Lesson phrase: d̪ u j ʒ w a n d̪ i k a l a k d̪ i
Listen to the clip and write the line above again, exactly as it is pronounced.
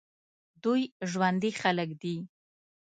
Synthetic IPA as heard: d̪ u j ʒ w a n d̪ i x a l ə k d̪ i